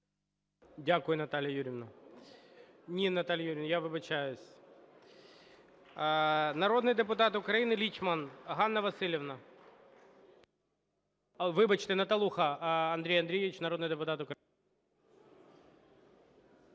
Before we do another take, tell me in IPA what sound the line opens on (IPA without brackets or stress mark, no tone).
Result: dʲ